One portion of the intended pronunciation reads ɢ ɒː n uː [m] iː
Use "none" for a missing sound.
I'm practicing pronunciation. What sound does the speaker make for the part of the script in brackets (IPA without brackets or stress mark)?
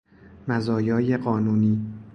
n